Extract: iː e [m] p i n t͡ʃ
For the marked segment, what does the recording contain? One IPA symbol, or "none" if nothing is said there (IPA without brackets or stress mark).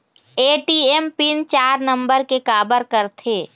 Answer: m